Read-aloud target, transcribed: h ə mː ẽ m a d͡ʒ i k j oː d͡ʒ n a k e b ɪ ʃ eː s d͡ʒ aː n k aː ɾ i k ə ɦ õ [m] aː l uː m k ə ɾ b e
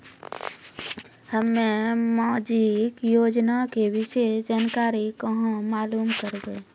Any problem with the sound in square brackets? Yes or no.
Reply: no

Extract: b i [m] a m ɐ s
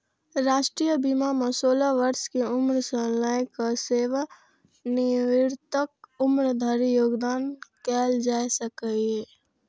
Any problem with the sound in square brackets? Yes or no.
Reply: no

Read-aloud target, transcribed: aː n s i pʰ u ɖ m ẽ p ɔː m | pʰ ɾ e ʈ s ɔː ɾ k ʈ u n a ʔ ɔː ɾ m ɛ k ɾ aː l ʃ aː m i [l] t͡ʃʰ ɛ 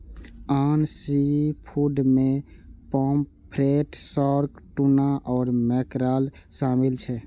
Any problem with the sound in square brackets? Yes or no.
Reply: no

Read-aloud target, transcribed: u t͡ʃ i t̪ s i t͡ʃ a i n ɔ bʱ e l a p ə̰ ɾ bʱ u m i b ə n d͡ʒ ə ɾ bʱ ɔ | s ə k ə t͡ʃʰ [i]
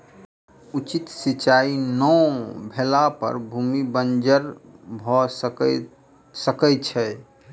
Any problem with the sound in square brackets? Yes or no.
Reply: yes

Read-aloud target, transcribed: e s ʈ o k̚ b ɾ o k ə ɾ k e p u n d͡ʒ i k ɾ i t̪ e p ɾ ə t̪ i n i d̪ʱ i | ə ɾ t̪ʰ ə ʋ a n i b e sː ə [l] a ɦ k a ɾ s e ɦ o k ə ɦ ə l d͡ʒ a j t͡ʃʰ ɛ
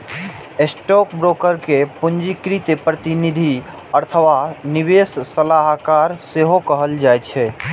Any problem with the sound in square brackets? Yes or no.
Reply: no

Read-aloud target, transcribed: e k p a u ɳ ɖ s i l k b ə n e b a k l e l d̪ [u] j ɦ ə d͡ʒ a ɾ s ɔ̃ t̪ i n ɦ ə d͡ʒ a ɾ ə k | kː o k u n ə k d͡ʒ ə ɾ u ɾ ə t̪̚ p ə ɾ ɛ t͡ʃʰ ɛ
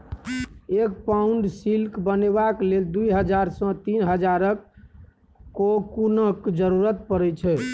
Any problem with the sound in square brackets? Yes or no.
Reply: no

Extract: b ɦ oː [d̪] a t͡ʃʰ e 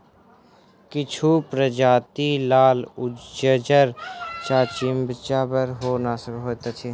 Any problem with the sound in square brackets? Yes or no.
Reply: yes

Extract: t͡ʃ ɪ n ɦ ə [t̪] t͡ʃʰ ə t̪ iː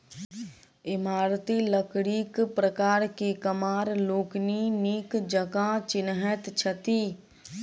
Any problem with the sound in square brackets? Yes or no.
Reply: no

